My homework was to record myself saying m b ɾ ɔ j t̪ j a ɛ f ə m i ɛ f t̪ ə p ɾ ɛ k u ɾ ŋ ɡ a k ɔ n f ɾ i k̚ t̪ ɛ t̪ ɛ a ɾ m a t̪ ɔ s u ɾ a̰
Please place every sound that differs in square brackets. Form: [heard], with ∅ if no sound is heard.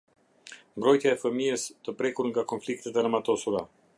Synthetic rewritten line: m b ɾ ɔ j t̪ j a ɛ f ə m i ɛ [s] t̪ ə p ɾ ɛ k u ɾ ŋ ɡ a k ɔ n f [l] i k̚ t̪ ɛ t̪ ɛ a ɾ m a t̪ ɔ s u ɾ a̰